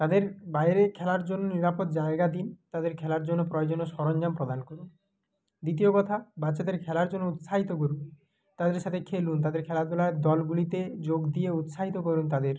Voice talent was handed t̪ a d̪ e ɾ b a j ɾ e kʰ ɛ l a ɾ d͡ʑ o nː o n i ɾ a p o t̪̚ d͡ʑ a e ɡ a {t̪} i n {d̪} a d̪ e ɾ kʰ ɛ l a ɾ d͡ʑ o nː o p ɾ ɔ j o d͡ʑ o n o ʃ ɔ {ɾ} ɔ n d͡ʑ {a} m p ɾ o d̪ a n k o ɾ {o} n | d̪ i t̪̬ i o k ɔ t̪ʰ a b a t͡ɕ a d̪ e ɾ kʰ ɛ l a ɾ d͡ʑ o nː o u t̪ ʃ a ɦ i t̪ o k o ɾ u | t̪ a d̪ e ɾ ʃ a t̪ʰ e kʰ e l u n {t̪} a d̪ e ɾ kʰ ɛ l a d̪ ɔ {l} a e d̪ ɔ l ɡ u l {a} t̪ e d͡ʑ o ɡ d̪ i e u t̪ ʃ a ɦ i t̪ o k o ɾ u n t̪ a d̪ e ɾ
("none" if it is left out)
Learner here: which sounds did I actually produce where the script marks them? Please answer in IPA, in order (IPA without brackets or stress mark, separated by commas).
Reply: d̪, t̪, ɾ, a, u, t̪, l, i